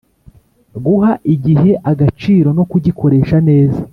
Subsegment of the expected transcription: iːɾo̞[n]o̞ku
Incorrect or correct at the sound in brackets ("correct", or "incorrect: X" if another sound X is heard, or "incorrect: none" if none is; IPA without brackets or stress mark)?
correct